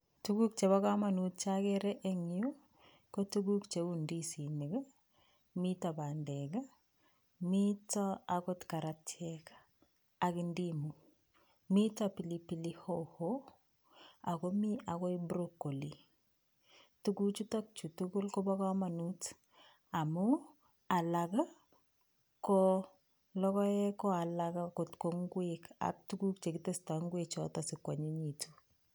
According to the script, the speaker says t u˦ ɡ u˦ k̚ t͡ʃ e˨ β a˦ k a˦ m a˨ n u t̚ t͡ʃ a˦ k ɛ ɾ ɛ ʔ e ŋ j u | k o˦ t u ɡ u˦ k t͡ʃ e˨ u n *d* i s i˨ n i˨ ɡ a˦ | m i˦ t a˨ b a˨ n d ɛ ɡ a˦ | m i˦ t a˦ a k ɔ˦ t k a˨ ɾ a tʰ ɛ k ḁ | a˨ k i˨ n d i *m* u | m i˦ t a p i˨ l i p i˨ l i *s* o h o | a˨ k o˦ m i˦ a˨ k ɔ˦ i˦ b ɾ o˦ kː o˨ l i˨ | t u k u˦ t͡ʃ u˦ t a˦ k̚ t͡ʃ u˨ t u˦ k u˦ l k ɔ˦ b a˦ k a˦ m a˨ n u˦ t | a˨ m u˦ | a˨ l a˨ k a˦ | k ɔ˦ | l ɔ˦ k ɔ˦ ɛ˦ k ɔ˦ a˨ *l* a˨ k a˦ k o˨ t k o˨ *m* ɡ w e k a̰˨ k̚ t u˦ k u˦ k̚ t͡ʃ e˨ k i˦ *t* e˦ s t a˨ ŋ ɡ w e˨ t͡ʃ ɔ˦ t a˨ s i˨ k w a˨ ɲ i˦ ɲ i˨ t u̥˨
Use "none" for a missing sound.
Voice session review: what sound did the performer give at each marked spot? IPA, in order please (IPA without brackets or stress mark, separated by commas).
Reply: d, m, h, l, ŋ, t